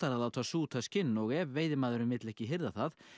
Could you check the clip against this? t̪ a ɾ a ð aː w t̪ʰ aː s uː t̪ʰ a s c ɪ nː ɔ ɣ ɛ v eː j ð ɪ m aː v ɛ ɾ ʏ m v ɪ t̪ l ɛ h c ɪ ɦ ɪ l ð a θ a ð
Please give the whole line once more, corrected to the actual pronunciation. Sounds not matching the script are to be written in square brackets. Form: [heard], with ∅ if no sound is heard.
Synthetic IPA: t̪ a ɾ a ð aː w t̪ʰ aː s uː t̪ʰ a s c ɪ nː ɔ ɣ ɛ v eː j ð ɪ m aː [ð] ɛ ɾ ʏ m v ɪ t̪ l ɛ h c ɪ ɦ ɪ [ɾ] ð a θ a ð

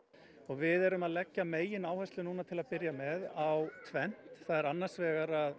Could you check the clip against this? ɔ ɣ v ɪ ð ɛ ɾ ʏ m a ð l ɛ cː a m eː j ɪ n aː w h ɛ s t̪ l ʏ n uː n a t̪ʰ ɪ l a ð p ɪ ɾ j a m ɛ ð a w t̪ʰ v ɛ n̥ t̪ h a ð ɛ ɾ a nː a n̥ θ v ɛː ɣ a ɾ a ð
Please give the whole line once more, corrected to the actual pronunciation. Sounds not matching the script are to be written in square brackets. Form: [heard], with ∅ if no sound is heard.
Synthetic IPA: ɔ ɣ v ɪ ð ɛ ɾ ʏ m a ð l ɛ cː a m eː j ɪ n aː w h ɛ s t̪ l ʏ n uː n a t̪ʰ ɪ l a ð p ɪ ɾ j a m ɛ ð a w t̪ʰ v ɛ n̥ t̪ [θ] a ð ɛ ɾ a nː a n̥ [s] v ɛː ɣ a ɾ a ð

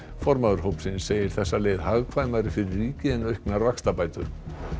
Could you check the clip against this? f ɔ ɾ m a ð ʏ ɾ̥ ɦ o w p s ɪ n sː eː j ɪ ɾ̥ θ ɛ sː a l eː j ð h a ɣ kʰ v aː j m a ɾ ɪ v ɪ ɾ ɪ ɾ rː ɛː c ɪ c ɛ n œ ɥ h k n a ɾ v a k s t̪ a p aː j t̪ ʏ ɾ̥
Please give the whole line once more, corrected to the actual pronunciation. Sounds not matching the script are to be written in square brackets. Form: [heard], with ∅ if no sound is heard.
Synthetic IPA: f ɔ ɾ m a ð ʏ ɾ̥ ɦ o w p s ɪ n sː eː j ɪ ɾ̥ θ ɛ sː a l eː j ð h a ɣ kʰ v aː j m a ɾ ɪ [f] ɪ ɾ ɪ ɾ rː [iː] c ɪ [∅] ɛ n œ ɥ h k n a ɾ v a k s t̪ a p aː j t̪ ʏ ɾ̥

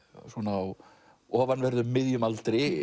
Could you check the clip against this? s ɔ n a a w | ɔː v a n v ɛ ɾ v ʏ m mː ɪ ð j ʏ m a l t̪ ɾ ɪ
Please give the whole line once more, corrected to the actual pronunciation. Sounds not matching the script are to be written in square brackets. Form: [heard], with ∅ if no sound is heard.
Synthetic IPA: s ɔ n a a w | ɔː v a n v ɛ ɾ [ð] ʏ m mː ɪ ð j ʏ m a l t̪ ɾ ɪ

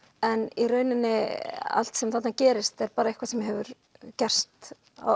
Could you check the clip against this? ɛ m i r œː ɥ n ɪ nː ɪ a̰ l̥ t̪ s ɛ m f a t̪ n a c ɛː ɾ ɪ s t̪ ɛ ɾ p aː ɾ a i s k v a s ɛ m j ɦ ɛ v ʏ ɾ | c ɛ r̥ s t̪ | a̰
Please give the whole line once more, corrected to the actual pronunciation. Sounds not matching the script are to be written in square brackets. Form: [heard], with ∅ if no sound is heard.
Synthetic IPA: ɛ [n] i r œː ɥ n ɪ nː ɪ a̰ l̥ t̪ s ɛ m [θ] a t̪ n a c ɛː ɾ ɪ s t̪ ɛ ɾ p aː ɾ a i [h] k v a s ɛ m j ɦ ɛ v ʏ ɾ | c ɛ r̥ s t̪ | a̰

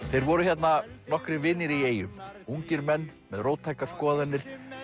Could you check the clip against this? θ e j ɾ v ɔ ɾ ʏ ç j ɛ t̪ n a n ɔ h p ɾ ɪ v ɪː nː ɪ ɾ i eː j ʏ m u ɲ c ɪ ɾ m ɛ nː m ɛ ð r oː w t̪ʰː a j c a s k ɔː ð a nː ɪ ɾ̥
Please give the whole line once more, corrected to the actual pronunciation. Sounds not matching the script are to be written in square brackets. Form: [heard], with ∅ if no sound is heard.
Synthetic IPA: θ e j ɾ v ɔ ɾ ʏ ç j ɛ t̪ n a n ɔ h [k] ɾ ɪ v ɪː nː ɪ ɾ i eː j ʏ m u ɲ c ɪ ɾ m ɛ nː m ɛ ð r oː w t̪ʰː a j [k] a s k ɔː ð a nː ɪ ɾ̥

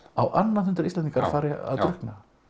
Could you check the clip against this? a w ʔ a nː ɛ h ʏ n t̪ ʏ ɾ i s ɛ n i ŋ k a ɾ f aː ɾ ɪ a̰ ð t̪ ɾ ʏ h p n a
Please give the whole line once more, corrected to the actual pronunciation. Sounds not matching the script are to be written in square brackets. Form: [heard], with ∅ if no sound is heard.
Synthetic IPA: a w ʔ a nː [a] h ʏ n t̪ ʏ ɾ i s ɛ n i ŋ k a ɾ f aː ɾ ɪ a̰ ð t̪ ɾ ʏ h [k] n a

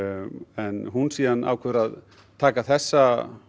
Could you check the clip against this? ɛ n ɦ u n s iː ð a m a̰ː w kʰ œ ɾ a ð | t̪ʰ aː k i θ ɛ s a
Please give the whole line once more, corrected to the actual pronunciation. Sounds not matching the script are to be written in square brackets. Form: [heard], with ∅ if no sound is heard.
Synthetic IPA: ɛ n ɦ u n s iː ð a [n] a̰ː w kʰ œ ɾ a ð | t̪ʰ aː k [a] θ ɛ [sː] a

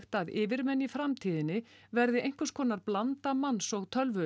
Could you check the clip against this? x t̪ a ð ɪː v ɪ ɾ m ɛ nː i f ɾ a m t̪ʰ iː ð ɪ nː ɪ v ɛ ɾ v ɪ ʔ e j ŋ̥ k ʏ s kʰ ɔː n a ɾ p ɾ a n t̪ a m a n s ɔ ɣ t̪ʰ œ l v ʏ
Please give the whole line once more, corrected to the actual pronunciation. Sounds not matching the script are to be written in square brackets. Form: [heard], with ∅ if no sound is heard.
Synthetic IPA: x t̪ a ð ɪː v ɪ ɾ m ɛ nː i f ɾ a m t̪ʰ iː ð ɪ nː ɪ v ɛ ɾ [ð] ɪ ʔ e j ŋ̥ k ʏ s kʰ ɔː n a ɾ p [l] a n t̪ a m a n s ɔ ɣ t̪ʰ œ l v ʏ

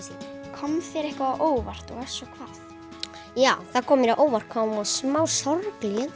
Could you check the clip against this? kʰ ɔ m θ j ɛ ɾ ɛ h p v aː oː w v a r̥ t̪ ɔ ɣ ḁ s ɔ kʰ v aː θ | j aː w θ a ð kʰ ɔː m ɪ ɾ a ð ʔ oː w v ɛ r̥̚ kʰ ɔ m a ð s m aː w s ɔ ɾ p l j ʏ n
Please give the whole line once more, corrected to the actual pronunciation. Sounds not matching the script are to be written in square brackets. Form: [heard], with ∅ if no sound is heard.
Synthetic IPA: kʰ ɔ m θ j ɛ ɾ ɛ h [k] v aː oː w v a r̥ t̪ ɔ ɣ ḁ s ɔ kʰ v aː θ | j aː w θ a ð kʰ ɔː m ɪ ɾ a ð ʔ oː w v [a] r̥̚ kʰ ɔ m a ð s m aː w s ɔ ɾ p l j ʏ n

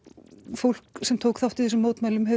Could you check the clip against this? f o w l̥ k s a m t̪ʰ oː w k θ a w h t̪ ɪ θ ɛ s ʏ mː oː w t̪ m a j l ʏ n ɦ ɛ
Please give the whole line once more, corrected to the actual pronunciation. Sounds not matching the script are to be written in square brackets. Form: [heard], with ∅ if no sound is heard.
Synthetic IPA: f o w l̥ k s [ɛ] m t̪ʰ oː w k θ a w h t̪ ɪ θ ɛ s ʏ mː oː w t̪ m a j l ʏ [m] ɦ ɛ

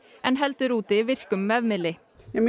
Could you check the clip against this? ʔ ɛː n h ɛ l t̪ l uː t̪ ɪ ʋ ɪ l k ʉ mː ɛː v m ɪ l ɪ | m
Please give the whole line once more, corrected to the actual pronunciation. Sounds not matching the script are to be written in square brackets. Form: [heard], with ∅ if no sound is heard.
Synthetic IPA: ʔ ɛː n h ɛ l t̪ [ɾ] uː t̪ ɪ ʋ ɪ [ɾ] k ʉ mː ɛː [ʋ] m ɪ l ɪ | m

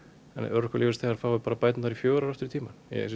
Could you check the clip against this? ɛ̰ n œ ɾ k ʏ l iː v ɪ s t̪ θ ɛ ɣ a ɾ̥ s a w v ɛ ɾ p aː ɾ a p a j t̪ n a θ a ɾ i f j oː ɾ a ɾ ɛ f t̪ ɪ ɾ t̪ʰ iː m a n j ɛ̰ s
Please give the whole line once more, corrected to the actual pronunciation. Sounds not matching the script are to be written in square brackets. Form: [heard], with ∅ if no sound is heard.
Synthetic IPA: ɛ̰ n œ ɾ k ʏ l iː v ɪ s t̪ θ ɛ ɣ a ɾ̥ [θ] a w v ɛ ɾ p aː ɾ a p a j t̪ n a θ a ɾ i f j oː ɾ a ɾ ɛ f t̪ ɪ ɾ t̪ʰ iː m a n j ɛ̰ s

